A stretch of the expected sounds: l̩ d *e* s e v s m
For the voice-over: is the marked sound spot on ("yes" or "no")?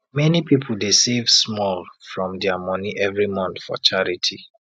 yes